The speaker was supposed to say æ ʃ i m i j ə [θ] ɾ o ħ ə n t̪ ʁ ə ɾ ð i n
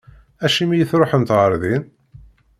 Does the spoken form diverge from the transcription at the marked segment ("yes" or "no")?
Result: no